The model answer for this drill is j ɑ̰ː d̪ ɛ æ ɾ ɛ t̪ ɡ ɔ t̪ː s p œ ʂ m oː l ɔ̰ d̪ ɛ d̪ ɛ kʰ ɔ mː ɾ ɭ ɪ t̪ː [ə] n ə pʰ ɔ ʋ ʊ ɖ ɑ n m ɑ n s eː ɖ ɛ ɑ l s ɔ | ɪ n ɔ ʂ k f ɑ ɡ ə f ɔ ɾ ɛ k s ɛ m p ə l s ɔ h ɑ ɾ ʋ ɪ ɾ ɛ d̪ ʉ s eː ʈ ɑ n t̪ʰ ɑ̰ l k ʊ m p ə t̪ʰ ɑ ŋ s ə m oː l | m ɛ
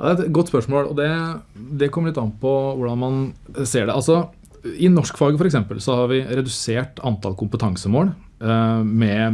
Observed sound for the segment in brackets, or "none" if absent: ɑ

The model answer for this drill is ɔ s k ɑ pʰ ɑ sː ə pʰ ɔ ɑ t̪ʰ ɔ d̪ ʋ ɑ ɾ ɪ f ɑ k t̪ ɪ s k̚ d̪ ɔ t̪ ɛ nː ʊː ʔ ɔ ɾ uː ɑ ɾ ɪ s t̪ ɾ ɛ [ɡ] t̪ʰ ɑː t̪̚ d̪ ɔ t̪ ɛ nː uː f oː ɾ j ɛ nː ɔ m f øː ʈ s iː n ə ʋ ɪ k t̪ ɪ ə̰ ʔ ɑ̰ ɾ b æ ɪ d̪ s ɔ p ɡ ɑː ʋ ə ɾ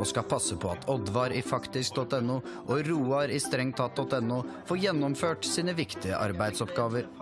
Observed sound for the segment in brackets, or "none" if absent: ŋ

